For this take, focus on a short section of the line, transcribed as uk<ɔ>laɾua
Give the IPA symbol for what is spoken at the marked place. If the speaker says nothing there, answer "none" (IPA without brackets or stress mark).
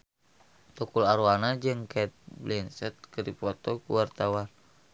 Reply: u